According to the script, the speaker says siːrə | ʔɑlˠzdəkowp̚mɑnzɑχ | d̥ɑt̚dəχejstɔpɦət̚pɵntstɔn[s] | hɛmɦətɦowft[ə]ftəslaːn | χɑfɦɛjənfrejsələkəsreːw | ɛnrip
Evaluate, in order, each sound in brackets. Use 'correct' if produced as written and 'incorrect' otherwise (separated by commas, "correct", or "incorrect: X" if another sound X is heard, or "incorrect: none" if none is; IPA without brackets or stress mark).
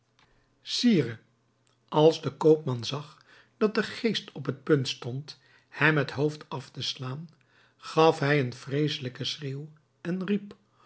incorrect: t, incorrect: ɑ